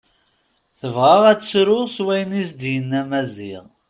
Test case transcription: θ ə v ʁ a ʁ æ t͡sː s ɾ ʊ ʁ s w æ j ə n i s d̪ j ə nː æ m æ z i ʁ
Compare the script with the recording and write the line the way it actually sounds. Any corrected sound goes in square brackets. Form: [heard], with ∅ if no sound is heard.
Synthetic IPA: θ ə v ʁ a ʁ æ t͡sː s ɾ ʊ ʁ s w æ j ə n i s d̪ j ə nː æ m æ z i ʁ